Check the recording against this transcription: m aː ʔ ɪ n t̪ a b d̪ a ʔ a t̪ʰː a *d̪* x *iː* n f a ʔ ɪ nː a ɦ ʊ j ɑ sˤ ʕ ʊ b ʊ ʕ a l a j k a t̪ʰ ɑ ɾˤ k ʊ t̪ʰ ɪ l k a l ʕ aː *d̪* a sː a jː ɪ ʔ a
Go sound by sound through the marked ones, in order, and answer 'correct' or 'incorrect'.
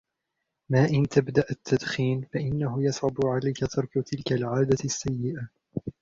correct, correct, correct

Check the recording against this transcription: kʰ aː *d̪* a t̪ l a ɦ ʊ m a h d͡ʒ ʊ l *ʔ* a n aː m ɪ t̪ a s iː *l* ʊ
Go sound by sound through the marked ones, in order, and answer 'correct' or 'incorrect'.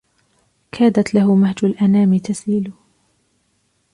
correct, correct, correct

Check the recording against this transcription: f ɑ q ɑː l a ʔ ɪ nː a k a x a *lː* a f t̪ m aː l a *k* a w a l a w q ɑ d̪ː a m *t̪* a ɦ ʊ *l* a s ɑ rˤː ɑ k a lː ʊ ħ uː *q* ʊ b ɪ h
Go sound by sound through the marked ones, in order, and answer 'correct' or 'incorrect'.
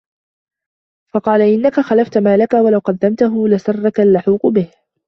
incorrect, correct, correct, correct, correct

